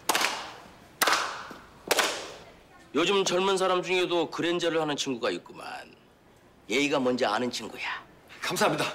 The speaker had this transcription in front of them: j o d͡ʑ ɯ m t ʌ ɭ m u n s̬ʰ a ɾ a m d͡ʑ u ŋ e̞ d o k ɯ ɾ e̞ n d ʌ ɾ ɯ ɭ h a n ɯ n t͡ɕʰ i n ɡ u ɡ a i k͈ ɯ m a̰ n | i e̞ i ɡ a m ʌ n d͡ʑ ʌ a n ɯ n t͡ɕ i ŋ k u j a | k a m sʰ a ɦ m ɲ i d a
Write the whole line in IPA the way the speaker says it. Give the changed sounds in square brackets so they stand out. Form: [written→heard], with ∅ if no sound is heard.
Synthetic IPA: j o d͡ʑ ɯ m [t→t͡ɕ] ʌ ɭ m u n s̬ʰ a ɾ a m d͡ʑ u ŋ e̞ d o k ɯ ɾ e̞ n [d→d͡ʑ] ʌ ɾ ɯ ɭ h a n ɯ n t͡ɕʰ i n ɡ u ɡ a i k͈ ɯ m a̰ n | [i→j] e̞ i ɡ a m ʌ n d͡ʑ ʌ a n ɯ n [t͡ɕ→t͡ɕʰ] i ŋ [k→ɡ] u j a | k a m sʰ a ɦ m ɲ i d a

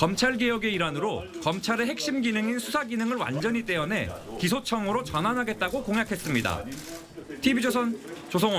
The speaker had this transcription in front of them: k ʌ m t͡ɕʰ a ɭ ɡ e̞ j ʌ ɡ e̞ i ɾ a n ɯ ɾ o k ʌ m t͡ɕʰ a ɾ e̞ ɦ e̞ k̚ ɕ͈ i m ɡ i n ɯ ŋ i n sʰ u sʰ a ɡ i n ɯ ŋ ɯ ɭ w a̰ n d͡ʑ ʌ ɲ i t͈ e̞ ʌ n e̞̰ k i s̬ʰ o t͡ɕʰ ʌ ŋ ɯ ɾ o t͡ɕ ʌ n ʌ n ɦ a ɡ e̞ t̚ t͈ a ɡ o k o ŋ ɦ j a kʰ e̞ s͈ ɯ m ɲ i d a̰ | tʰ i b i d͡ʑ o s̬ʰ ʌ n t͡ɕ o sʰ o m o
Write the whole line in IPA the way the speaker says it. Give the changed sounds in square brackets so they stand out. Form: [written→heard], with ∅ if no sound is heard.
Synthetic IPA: k ʌ m t͡ɕʰ a ɭ ɡ e̞ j ʌ ɡ e̞ i ɾ a n ɯ ɾ o k ʌ m t͡ɕʰ a ɾ e̞ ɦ e̞ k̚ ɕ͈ i m ɡ i n ɯ ŋ i n sʰ u sʰ a ɡ i n ɯ ŋ ɯ ɭ w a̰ n d͡ʑ ʌ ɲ i t͈ e̞ ʌ n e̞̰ k i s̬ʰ o t͡ɕʰ ʌ ŋ ɯ ɾ o t͡ɕ ʌ n [ʌ→a] n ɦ a ɡ e̞ t̚ t͈ a ɡ o k o ŋ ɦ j a kʰ e̞ s͈ ɯ m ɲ i d a̰ | tʰ i b i d͡ʑ o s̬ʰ ʌ n t͡ɕ o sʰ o [m→ŋ] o

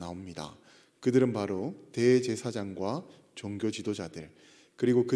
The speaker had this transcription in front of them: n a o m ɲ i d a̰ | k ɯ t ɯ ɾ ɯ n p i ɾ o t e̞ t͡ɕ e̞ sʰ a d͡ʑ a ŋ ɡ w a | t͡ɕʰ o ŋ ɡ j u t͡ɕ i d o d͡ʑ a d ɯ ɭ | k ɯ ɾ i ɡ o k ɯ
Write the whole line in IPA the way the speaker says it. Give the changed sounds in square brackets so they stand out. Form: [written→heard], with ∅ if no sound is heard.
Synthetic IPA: n a o m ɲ i d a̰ | k ɯ [t→d] ɯ ɾ ɯ n p [i→a] ɾ o t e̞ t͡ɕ e̞ sʰ a d͡ʑ a ŋ ɡ w a | [t͡ɕʰ→t͡ɕ] o ŋ ɡ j [u→o] t͡ɕ i d o d͡ʑ a d ɯ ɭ | k ɯ ɾ i ɡ o k ɯ

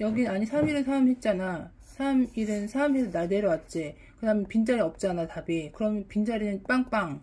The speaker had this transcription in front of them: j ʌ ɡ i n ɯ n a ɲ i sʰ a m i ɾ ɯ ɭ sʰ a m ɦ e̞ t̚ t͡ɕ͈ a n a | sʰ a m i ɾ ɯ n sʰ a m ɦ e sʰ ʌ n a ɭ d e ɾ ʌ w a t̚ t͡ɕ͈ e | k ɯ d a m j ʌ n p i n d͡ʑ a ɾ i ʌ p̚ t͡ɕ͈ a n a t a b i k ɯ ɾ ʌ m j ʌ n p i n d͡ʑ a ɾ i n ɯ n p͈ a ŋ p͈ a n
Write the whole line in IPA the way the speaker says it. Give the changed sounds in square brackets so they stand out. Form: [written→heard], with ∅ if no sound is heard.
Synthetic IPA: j ʌ ɡ i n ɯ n a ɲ i sʰ a m i ɾ ɯ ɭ sʰ a m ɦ e̞ t̚ t͡ɕ͈ a n a | sʰ a m i ɾ ɯ n sʰ a m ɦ e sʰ ʌ n a ɭ d e ɾ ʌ w a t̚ t͡ɕ͈ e | k ɯ d a m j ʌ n p i n d͡ʑ a ɾ i ʌ p̚ t͡ɕ͈ a n a t a b i k ɯ ɾ ʌ m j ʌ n p i n d͡ʑ a ɾ i n ɯ n p͈ a ŋ p͈ a [n→ŋ]

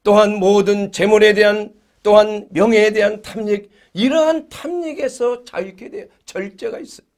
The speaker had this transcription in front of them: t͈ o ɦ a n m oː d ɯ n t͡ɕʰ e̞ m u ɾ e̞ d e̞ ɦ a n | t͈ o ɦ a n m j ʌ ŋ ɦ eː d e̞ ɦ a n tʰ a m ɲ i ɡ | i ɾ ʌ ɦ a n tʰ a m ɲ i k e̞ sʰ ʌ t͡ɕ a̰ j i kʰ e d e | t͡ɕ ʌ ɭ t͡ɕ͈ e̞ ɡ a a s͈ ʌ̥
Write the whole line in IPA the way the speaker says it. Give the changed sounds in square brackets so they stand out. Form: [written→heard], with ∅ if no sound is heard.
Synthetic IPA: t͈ o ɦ a n m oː d ɯ n [t͡ɕʰ→t͡ɕ] e̞ m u ɾ e̞ d e̞ ɦ a n | t͈ o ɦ a n m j ʌ ŋ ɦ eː d e̞ ɦ a n tʰ a m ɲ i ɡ | i ɾ ʌ ɦ a n tʰ a m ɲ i [k→ɡ] e̞ sʰ ʌ t͡ɕ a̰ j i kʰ e d e | t͡ɕ ʌ ɭ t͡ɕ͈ e̞ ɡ a [a→i] s͈ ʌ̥

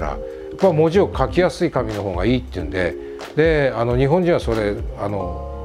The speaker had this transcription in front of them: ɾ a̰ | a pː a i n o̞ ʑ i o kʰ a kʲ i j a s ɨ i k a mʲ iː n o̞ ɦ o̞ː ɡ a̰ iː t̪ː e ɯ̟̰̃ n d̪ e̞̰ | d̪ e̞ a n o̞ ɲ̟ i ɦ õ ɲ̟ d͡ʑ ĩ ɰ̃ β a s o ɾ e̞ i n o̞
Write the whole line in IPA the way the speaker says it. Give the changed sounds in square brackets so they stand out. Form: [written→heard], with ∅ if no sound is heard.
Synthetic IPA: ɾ a̰ | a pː a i [n→m] o̞ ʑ i o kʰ a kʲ i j a s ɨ i k a mʲ [iː→i] n o̞ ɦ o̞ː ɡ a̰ iː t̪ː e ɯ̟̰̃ n d̪ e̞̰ | d̪ e̞ a n o̞ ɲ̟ i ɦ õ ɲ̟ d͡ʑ ĩ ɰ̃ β a s o ɾ e̞ [i→a] n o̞

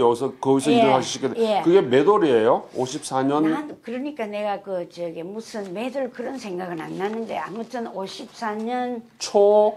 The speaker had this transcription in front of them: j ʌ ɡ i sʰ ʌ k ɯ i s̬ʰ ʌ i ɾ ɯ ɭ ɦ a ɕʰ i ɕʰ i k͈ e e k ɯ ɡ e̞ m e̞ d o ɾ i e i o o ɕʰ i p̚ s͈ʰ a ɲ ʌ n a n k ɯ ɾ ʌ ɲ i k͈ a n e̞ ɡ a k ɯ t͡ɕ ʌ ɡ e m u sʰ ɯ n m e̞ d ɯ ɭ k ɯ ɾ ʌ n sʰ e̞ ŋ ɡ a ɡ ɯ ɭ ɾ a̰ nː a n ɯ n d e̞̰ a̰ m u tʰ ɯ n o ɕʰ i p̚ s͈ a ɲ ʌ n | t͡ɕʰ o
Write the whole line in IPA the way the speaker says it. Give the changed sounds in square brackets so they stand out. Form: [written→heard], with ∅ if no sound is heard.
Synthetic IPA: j ʌ ɡ i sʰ ʌ k ɯ i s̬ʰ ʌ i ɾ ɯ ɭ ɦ a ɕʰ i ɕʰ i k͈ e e k ɯ ɡ e̞ m e̞ d o ɾ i e [i→j] o o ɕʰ i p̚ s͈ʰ a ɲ ʌ n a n k ɯ ɾ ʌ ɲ i k͈ a n e̞ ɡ a k ɯ t͡ɕ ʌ ɡ e m u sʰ ɯ n m e̞ d ɯ ɭ k ɯ ɾ ʌ n sʰ e̞ ŋ ɡ a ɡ ɯ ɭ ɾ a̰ nː a n ɯ n d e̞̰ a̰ m u tʰ ɯ n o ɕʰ i p̚ s͈ a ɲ ʌ n | t͡ɕʰ o

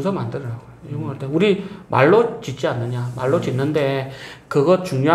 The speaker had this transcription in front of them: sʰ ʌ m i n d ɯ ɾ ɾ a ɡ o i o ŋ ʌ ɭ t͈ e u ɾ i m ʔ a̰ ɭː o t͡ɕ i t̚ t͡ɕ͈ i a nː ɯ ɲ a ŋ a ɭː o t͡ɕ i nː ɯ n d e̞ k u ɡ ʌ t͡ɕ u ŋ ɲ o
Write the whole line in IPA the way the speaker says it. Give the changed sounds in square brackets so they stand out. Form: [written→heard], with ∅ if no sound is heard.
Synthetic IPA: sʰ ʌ m [i→a] n d ɯ ɾ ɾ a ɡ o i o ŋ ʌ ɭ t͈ e u ɾ i m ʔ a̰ ɭː o t͡ɕ i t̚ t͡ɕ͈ i a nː ɯ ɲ a [ŋ→m] a ɭː o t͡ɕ i nː ɯ n d e̞ k [u→ɯ] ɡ ʌ t͡ɕ u ŋ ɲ o

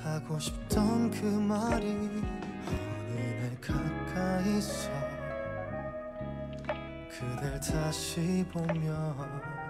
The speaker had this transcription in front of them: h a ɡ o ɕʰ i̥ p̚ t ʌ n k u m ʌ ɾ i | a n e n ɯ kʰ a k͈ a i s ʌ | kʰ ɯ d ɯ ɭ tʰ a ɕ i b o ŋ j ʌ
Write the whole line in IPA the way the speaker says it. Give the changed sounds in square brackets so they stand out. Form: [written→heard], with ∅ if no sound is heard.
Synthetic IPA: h a ɡ o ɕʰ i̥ p̚ t ʌ n k [u→ɯ] m [ʌ→a] ɾ i | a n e n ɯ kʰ a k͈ a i s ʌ | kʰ ɯ d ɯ ɭ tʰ a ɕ i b o [ŋ→m] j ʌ

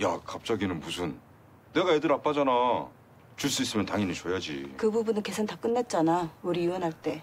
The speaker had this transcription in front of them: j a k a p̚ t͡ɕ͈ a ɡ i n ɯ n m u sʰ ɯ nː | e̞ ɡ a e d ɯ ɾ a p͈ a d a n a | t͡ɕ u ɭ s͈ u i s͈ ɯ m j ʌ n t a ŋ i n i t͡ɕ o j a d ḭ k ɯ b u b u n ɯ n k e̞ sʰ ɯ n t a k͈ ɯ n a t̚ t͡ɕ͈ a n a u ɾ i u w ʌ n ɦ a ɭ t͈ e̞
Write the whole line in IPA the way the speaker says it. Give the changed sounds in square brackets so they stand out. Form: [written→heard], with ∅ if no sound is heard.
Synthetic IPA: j a k a p̚ t͡ɕ͈ a ɡ i n ɯ n m u sʰ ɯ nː | e̞ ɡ a e d ɯ ɾ a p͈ a [d→d͡ʑ] a n a | t͡ɕ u ɭ s͈ u i s͈ ɯ m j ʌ n t a ŋ i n i t͡ɕ o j a [d→d͡ʑ] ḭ k ɯ b u b u n ɯ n k e̞ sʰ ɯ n t a k͈ ɯ [n→nː] a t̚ t͡ɕ͈ a n a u ɾ i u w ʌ n ɦ a ɭ t͈ e̞

